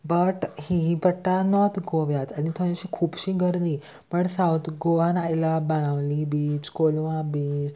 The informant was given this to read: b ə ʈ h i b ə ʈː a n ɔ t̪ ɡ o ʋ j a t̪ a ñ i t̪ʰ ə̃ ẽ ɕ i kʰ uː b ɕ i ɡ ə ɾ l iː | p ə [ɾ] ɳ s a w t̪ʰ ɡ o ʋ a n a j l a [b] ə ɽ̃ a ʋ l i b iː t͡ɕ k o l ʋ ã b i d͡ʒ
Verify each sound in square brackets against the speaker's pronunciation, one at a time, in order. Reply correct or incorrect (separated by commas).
incorrect, correct